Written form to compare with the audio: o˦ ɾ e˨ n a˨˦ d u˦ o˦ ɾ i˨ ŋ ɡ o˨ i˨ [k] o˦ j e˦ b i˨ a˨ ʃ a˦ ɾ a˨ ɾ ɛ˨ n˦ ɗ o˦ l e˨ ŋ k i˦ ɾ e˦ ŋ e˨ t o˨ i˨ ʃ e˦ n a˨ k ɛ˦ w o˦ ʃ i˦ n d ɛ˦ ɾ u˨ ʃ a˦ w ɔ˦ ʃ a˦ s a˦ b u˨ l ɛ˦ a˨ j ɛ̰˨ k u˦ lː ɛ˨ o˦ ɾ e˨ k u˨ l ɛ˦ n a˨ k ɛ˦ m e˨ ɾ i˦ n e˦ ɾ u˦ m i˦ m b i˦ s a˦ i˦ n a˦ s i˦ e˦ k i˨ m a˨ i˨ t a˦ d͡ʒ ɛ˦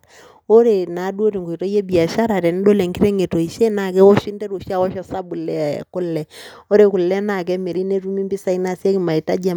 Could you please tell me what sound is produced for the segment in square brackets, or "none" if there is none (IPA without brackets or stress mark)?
t